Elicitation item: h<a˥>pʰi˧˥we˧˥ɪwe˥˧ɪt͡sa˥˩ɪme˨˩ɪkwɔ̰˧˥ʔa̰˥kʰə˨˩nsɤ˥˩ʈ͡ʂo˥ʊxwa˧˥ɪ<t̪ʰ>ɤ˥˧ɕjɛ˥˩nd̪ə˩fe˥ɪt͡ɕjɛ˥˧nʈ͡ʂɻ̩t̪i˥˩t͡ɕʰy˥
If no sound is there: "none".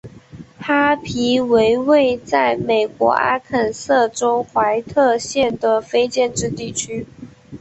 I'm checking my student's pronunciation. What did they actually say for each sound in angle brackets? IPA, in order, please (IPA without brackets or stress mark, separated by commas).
a˥, t̪ʰ